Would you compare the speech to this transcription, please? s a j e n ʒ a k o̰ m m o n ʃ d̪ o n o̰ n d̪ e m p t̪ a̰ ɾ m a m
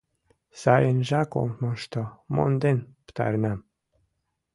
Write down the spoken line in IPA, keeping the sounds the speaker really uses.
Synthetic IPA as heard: s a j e n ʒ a k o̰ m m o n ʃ t̪ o m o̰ n d̪ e n p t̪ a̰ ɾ n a m